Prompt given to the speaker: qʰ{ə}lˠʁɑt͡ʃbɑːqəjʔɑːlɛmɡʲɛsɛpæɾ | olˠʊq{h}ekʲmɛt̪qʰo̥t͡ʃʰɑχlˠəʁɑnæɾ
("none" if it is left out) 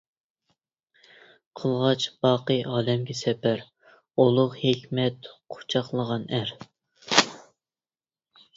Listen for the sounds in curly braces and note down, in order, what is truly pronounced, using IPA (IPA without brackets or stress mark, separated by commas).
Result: ə, h